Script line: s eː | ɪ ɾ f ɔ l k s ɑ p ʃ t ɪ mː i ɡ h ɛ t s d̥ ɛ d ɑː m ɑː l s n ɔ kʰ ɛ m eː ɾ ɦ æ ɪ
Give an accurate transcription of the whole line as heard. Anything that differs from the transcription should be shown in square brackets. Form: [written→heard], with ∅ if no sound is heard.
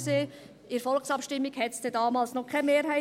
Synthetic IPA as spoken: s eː | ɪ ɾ f ɔ l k s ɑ p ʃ t ɪ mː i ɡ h ɛ t s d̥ ɛ d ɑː m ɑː l s n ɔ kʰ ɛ m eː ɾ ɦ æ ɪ